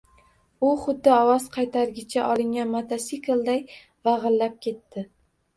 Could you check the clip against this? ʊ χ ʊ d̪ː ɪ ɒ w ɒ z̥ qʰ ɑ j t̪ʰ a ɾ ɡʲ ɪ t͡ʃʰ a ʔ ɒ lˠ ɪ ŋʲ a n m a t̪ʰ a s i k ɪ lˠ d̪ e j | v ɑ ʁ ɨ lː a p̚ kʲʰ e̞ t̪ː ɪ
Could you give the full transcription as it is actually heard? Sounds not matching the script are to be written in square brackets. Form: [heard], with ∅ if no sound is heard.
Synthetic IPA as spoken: ʊ χ ʊ d̪ː ɪ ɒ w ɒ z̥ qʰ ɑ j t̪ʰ a ɾ ɡʲ ɪ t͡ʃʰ a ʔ ɒ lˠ ɪ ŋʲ a n m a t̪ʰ a s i k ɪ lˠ d̪ [a] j | v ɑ ʁ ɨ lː a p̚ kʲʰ e̞ t̪ː ɪ